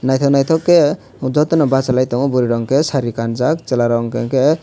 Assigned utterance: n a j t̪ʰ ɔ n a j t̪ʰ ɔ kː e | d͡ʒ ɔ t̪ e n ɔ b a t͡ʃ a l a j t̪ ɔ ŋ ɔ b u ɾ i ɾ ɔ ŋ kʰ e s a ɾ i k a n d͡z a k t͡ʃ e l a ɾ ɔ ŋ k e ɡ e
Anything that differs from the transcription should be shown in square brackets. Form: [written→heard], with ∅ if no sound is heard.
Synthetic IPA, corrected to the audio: n a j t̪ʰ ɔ n a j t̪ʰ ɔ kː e | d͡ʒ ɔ t̪ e n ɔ b a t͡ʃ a l a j t̪ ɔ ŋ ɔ b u ɾ i ɾ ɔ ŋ [kʰ→k] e s a ɾ i k a n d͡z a k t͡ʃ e l a ɾ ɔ ŋ k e [ɡ→k] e